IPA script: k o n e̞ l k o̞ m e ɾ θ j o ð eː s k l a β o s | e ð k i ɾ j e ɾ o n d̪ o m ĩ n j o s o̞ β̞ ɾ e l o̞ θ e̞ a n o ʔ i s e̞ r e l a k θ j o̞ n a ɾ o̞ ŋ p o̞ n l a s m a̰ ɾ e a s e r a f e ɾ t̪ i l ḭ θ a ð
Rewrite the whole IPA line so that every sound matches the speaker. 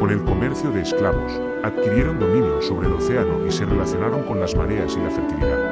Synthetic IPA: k o n e̞ l k o̞ m e ɾ θ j o ð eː s k l a β o s | a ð k i ɾ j e ɾ o n d̪ o m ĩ n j o s o̞ β̞ ɾ e l o̞ θ e̞ a n o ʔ i s e̞ r e l a θ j o̞ n a ɾ o̞ ŋ k o̞ n l a z m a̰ ɾ e a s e l a f e ɾ t̪ i l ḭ ð a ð